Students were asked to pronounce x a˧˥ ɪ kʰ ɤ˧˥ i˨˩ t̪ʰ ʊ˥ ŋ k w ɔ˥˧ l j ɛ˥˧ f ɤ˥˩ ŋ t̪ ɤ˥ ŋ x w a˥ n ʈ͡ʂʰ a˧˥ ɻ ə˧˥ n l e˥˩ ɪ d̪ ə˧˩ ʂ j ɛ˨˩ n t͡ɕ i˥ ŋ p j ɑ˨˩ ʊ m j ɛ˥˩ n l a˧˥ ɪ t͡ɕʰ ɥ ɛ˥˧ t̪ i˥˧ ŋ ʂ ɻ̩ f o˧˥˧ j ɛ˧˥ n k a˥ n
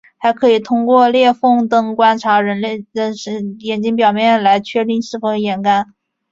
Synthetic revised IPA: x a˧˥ ɪ kʰ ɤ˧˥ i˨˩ t̪ʰ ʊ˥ ŋ k w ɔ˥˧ l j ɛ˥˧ f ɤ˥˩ ŋ t̪ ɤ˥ ŋ k w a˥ n ʈ͡ʂʰ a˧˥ ɻ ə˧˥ n l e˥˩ ɪ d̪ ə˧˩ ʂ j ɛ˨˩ n t͡ɕ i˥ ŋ p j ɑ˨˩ ʊ m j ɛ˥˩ n l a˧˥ ɪ t͡ɕʰ ɥ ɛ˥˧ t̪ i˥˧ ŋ ʂ ɻ̩ f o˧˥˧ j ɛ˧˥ n k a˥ n